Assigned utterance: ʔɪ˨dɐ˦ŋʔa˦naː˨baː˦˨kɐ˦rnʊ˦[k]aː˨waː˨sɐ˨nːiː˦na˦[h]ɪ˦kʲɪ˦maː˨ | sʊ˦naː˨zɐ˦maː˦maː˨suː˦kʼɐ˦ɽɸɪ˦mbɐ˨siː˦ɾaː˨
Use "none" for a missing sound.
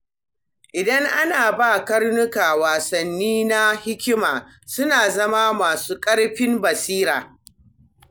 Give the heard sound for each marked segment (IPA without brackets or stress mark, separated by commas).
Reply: k, h